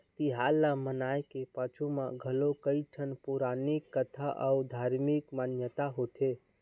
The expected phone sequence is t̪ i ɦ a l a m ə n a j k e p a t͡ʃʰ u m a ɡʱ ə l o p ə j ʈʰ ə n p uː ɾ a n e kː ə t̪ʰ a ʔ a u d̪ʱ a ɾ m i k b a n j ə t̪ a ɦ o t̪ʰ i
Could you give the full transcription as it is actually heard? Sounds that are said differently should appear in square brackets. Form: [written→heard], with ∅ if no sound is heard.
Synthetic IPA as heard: t̪ i ɦ a l a m ə n a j k e p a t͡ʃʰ u m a ɡʱ ə l o [p→k] ə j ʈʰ ə n p [uː→u] ɾ a n [e→i] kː ə t̪ʰ a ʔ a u d̪ʱ a ɾ m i k [b→m] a n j ə t̪ a ɦ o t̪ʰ [i→e]